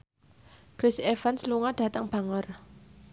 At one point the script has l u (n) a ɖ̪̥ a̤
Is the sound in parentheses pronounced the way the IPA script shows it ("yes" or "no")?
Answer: no